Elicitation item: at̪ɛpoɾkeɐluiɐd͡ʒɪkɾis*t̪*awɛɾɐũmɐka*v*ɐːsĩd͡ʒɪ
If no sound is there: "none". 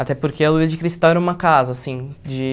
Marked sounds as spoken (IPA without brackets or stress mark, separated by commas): t̪, z